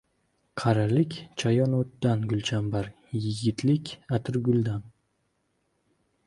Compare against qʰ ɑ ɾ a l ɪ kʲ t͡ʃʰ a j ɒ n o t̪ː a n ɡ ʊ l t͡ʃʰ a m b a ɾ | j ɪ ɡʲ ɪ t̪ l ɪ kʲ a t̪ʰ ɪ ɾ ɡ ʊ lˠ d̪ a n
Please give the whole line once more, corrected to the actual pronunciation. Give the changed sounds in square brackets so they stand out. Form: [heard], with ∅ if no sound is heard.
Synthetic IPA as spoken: qʰ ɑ ɾ a l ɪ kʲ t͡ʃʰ a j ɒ n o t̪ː a n ɡ ʊ l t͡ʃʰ a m b a ɾ | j ɪ ɡʲ ɪ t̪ l ɪ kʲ a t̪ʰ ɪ ɾ ɡ ʊ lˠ d̪ a n